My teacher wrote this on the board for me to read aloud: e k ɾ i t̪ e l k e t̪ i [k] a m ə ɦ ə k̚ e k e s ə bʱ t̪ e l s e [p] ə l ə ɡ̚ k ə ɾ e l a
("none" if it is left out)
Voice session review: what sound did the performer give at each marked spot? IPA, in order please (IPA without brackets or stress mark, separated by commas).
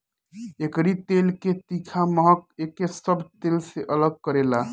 kʰ, ʔ